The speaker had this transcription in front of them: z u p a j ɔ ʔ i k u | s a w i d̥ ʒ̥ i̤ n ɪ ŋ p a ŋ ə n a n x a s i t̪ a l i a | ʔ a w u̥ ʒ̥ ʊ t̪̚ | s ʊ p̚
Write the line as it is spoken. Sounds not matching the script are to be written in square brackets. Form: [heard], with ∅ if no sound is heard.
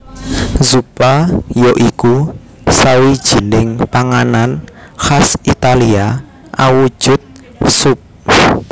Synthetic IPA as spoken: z u p a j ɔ ʔ i k u | s a w i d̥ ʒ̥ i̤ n ɪ ŋ p a ŋ [a] n a n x a s i t̪ a l i a | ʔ a w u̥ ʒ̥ ʊ t̪̚ | s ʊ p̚